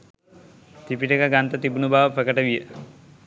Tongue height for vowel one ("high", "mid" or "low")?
high